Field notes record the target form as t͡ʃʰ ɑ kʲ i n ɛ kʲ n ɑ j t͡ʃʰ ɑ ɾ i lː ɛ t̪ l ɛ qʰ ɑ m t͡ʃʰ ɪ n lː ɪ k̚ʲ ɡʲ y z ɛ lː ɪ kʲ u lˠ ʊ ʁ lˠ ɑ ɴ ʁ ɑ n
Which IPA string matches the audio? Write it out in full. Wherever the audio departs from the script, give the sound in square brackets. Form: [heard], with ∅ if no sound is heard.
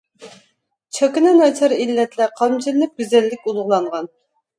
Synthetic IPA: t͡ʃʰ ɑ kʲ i n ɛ [∅] n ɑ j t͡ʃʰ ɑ ɾ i lː ɛ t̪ l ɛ qʰ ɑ m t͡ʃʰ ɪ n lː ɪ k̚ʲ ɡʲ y z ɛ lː ɪ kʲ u lˠ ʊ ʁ lˠ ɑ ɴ ʁ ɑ n